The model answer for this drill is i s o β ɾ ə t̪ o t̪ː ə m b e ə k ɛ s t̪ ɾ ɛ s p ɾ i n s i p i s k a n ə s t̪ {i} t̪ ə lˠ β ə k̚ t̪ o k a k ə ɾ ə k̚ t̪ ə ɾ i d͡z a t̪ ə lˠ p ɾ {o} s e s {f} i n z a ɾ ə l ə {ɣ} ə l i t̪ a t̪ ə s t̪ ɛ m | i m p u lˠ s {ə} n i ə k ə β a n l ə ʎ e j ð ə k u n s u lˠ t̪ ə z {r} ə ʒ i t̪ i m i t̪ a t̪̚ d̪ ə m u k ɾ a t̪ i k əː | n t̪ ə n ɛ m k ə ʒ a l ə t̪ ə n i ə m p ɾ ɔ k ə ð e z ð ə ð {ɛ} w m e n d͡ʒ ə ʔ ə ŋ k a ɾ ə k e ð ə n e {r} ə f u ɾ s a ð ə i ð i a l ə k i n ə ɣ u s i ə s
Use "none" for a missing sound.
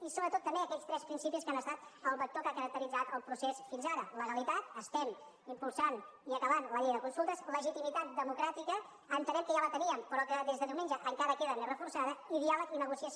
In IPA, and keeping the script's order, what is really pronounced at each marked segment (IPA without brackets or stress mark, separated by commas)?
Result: a, u, f, ɣ, a, l, i, r